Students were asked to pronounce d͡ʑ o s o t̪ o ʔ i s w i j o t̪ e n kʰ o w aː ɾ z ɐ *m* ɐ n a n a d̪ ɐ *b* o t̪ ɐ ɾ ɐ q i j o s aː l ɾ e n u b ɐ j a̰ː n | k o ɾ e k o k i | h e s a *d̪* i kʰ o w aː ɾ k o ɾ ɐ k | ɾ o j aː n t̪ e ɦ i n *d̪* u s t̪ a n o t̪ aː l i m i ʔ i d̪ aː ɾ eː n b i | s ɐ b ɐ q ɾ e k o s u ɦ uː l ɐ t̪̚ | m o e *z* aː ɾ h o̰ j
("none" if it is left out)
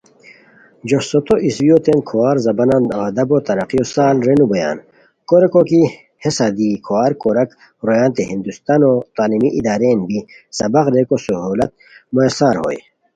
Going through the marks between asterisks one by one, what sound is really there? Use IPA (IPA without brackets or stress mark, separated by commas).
b, b, d̪, d̪, s